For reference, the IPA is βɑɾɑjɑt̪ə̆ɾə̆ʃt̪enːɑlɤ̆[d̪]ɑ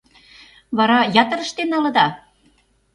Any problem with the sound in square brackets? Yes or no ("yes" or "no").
no